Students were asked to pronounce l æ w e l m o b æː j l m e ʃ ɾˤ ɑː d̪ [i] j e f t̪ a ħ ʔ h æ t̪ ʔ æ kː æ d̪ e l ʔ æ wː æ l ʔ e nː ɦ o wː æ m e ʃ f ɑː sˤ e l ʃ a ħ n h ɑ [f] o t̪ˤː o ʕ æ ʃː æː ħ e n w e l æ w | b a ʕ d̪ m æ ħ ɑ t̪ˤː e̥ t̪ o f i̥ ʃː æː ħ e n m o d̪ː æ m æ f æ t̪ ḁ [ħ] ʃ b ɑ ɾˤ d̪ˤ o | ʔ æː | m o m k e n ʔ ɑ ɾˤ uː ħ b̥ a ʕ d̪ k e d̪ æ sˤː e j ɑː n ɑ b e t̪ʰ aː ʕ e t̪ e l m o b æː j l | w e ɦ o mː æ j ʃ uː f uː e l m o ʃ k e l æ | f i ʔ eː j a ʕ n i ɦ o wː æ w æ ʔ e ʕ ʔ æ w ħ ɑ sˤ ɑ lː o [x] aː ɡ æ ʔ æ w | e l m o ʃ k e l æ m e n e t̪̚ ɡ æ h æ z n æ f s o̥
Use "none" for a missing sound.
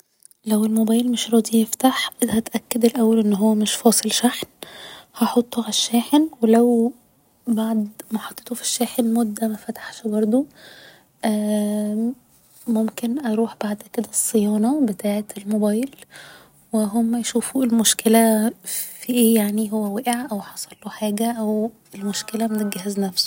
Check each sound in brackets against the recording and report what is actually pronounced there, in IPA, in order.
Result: i, ħ, ħ, ħ

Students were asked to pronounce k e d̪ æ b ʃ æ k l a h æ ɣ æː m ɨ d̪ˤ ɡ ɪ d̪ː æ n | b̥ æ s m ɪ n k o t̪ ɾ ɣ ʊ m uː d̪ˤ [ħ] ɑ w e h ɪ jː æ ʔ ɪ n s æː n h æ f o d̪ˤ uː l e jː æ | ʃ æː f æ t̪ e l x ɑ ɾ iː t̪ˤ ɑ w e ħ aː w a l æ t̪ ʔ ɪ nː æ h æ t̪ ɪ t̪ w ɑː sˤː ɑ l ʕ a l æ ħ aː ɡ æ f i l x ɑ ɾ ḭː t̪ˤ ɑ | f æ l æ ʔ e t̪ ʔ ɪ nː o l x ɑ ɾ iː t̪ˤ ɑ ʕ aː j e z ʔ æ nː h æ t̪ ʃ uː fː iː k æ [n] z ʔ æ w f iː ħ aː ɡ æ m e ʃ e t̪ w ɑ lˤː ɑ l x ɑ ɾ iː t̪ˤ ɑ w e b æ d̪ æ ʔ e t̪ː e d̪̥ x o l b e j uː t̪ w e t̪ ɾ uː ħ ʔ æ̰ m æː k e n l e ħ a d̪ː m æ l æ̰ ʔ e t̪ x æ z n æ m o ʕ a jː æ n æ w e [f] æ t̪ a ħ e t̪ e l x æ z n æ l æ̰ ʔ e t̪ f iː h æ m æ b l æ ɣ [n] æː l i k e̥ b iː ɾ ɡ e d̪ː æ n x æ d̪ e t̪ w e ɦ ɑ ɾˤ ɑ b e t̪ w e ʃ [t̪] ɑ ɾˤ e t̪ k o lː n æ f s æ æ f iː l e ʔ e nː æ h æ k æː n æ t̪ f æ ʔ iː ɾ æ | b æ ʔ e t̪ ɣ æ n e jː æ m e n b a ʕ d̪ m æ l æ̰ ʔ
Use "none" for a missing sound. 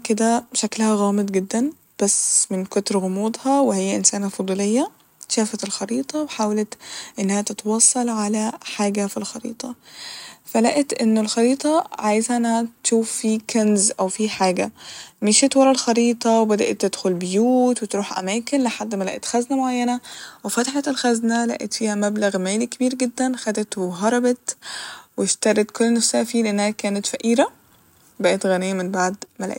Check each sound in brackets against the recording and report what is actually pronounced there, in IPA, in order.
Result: h, n, f, m, t̪

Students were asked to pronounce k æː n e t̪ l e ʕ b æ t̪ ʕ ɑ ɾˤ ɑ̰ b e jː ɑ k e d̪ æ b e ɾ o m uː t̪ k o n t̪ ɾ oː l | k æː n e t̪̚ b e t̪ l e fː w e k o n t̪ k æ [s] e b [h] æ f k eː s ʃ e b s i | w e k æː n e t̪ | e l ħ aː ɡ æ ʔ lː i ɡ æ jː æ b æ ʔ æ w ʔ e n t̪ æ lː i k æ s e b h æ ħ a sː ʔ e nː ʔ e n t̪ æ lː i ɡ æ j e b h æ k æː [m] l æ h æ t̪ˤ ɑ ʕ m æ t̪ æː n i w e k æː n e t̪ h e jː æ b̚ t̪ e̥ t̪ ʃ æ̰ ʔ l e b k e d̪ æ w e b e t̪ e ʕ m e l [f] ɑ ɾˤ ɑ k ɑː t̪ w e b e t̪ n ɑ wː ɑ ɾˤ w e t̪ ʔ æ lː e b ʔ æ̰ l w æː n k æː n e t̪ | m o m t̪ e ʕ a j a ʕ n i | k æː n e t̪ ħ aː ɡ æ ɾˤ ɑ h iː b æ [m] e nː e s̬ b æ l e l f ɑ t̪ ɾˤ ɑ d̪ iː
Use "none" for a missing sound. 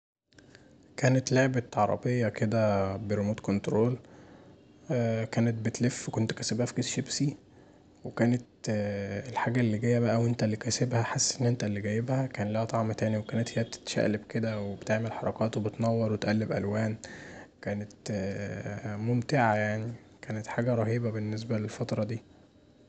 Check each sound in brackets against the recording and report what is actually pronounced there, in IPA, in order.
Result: s, h, n, ħ, b

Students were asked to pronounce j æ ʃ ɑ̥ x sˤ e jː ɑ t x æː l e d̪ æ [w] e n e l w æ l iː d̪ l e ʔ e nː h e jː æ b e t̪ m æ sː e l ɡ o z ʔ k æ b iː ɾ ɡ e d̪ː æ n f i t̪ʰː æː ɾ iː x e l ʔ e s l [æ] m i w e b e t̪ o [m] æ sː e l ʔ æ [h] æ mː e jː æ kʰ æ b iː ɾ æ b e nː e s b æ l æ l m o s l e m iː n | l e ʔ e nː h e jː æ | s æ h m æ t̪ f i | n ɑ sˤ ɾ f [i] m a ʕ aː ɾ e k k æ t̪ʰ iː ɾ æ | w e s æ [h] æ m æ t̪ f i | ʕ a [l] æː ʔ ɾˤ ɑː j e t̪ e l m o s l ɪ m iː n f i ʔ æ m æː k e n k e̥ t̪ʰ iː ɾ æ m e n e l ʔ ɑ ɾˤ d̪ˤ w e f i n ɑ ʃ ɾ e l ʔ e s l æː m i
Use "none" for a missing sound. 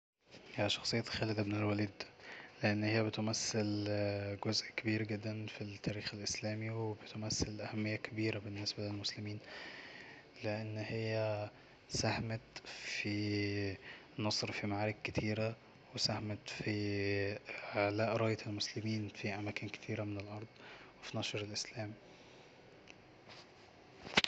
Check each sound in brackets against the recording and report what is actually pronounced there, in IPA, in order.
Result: b, æː, m, h, i, h, l

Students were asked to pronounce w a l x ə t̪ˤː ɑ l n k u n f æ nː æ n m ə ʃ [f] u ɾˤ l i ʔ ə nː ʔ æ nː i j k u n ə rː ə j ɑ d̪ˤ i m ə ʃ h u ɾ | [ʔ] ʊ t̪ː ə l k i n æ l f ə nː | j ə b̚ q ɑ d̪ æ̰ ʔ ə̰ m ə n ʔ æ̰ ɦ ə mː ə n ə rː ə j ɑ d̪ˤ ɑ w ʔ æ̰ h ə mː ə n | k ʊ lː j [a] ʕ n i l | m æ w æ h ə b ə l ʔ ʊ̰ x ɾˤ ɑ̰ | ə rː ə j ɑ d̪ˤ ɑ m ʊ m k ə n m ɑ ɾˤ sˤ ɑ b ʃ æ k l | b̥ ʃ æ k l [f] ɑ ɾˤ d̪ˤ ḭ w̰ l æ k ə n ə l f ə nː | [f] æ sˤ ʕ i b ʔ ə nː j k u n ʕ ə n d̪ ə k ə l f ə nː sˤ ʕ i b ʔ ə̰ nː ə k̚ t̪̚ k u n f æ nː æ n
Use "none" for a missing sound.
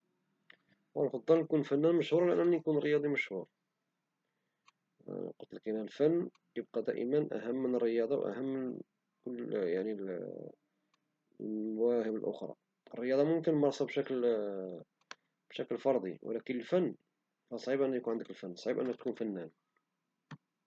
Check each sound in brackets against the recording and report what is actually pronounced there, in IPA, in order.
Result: h, q, a, f, f

